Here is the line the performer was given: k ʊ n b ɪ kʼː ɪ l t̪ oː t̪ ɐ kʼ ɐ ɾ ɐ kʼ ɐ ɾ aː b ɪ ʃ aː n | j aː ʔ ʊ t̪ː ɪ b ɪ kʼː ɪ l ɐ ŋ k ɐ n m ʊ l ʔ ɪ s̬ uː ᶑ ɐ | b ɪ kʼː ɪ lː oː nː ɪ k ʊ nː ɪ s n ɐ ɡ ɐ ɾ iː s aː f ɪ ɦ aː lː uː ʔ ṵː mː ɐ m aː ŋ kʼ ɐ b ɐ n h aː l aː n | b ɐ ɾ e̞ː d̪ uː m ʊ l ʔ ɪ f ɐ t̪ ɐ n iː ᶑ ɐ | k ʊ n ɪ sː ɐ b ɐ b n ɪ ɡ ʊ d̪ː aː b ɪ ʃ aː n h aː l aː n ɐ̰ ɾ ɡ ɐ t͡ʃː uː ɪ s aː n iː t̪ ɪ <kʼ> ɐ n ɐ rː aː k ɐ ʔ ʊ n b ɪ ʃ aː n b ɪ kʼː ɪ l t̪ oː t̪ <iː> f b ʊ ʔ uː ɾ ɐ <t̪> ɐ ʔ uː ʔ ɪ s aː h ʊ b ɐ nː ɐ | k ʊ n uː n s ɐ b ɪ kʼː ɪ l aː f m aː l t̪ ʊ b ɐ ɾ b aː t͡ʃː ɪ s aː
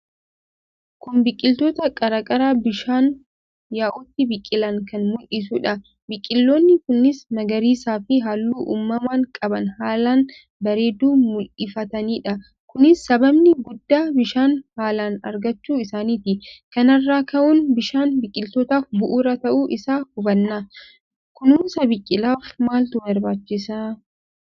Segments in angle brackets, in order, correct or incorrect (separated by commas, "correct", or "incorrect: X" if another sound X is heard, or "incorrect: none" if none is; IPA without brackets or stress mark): incorrect: k, incorrect: aː, correct